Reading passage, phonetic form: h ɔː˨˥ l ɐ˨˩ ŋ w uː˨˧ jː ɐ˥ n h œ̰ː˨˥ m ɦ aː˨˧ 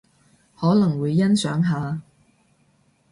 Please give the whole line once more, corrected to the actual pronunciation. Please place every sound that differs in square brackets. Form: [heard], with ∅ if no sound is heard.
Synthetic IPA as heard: h ɔː˨˥ l ɐ˨˩ ŋ w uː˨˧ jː ɐ˥ n [s] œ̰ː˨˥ [ŋ] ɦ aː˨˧